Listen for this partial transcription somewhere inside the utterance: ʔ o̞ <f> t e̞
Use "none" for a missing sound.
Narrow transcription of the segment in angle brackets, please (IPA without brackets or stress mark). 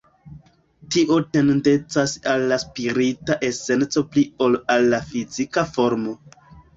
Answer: none